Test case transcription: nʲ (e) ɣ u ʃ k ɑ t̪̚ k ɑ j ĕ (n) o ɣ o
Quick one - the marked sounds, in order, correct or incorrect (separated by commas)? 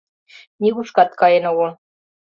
incorrect, correct